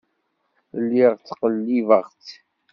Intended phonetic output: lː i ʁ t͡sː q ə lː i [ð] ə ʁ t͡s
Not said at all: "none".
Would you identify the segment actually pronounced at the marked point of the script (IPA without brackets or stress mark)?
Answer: v